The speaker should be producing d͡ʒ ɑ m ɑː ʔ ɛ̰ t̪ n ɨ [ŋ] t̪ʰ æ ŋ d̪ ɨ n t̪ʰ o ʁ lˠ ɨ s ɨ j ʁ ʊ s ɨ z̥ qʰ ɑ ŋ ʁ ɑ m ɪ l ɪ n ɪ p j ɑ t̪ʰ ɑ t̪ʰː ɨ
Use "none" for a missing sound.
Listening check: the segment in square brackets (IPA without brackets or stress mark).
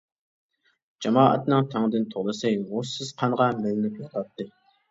ŋ